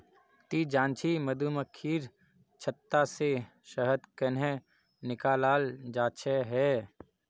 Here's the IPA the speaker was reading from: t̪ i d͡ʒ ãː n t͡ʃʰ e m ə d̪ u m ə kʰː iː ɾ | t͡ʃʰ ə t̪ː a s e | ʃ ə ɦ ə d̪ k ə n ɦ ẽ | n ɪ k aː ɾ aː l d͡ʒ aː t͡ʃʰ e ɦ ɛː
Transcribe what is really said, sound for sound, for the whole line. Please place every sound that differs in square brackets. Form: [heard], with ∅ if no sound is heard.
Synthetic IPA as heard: t̪ i d͡ʒ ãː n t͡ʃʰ [i] m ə d̪ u m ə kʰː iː ɾ | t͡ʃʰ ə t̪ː a s e | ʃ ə ɦ ə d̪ k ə n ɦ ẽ | n ɪ k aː [l] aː l d͡ʒ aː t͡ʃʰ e ɦ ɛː